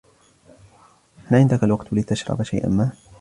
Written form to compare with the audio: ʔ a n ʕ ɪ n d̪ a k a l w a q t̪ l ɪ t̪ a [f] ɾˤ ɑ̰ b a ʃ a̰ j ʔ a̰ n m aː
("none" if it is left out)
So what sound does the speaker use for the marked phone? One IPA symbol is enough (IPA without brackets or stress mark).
ʃ